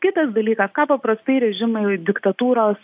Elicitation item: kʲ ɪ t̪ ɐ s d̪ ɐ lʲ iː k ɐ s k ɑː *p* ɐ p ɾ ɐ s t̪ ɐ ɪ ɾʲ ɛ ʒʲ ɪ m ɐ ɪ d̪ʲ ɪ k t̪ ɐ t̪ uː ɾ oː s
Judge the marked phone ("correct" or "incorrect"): correct